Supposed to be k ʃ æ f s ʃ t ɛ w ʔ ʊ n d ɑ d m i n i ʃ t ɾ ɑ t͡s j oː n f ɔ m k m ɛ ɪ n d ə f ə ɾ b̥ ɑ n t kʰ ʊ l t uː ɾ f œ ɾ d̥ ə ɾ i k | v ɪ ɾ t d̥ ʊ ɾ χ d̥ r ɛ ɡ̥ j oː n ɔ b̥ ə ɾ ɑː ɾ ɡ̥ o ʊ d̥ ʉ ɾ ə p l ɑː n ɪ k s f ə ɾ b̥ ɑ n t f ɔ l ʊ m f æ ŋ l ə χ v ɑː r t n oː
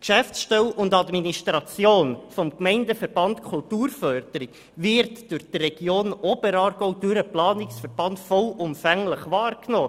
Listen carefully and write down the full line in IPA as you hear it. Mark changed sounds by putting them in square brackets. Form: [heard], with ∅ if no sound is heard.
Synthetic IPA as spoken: k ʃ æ f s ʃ t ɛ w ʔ ʊ n d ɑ d m i n i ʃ t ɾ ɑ t͡s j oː n f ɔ m k m ɛ ɪ n d ə f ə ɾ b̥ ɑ n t kʰ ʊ l t uː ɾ f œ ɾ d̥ ə ɾ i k | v ɪ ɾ t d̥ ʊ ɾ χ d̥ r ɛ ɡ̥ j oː n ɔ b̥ ə ɾ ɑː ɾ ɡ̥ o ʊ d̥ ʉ ɾ ə p l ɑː n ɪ k s f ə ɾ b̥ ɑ n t f ɔ l ʊ m f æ ŋ l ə χ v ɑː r [k] n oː